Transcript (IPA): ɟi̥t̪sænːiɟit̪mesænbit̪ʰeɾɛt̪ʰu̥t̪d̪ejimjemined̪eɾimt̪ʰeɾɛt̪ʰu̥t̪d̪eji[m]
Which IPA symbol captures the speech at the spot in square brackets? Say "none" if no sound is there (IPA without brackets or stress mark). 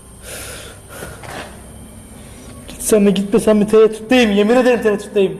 m